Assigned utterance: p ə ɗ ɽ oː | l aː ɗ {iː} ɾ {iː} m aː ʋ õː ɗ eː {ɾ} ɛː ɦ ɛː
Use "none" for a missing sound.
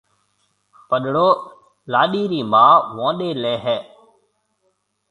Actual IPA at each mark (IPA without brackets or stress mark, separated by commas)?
iː, iː, l